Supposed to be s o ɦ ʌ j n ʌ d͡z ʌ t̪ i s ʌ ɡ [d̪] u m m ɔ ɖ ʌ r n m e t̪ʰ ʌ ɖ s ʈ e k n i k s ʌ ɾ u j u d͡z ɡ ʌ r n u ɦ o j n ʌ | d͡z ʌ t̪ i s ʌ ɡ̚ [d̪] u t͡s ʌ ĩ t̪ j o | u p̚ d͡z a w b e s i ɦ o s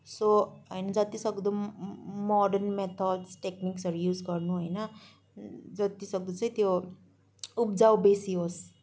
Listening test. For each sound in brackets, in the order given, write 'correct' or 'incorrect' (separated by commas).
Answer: correct, correct